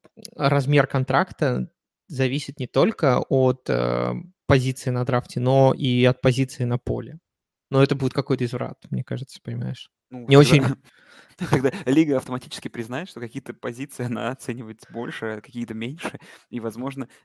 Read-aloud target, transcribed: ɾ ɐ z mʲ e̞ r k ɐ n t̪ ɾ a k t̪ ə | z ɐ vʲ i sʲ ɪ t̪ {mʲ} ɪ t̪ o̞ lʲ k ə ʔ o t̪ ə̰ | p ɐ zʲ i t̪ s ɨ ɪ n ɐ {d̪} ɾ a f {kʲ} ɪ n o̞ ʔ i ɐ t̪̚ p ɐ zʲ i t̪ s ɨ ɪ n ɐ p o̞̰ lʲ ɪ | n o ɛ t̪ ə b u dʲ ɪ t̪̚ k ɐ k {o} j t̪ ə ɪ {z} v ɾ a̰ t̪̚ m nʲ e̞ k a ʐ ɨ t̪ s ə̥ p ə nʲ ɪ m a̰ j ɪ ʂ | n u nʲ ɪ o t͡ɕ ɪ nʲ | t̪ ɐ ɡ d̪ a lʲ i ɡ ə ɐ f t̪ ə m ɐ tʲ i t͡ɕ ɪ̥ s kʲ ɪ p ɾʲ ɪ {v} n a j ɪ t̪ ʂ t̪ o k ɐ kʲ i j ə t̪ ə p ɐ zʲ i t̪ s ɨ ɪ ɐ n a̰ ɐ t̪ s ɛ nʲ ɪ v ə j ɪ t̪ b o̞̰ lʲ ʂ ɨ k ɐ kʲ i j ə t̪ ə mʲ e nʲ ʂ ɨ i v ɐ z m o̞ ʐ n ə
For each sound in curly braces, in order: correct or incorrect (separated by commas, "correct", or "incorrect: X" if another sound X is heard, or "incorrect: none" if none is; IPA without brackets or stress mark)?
incorrect: nʲ, correct, incorrect: tʲ, correct, correct, incorrect: z